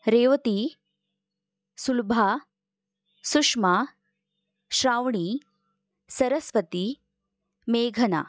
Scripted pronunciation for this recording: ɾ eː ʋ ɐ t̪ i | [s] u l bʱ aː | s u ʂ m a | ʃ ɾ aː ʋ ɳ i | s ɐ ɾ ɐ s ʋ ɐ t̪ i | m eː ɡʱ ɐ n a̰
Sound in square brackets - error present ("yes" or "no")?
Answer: no